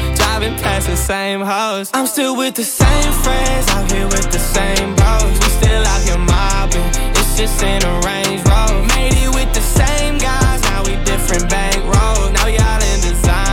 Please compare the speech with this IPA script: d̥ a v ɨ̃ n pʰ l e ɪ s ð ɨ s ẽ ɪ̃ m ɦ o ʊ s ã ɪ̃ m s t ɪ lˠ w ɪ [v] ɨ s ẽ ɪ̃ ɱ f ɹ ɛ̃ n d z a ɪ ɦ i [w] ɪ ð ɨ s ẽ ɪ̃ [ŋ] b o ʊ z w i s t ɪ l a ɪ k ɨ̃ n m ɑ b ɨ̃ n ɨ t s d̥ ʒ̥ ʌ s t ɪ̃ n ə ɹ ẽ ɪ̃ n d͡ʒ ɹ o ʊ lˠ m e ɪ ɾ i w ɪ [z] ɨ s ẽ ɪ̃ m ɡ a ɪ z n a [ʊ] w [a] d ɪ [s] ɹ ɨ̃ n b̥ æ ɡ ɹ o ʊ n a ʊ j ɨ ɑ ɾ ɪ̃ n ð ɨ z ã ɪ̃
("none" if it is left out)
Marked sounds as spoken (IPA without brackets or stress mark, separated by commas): ð, w, m, ð, ʊ, i, f